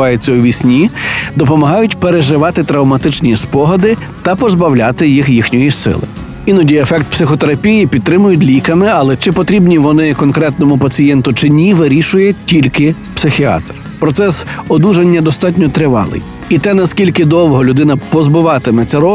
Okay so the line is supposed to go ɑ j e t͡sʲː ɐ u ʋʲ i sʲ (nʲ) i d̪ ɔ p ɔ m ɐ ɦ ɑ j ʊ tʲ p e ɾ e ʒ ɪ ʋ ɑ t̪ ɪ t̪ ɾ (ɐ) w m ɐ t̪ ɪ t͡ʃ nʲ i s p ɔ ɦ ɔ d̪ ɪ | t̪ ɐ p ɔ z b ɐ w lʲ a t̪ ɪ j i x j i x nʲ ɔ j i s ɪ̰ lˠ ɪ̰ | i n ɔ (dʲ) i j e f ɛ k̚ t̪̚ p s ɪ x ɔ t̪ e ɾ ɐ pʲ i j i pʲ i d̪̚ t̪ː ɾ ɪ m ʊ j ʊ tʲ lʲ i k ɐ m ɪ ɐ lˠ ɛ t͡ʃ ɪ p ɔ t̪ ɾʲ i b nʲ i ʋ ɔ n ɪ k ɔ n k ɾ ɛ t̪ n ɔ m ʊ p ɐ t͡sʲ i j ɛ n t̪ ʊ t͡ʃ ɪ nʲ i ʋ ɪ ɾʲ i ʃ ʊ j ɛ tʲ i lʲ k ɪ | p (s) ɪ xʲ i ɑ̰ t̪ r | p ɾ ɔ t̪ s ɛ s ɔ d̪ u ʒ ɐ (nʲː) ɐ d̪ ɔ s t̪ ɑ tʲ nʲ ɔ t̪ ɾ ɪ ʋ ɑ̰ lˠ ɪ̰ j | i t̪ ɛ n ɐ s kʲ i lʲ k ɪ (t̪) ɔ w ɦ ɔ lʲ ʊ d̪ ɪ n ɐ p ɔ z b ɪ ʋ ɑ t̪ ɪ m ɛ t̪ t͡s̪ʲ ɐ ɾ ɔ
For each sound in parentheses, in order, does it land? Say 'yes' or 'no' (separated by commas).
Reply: yes, yes, yes, yes, yes, no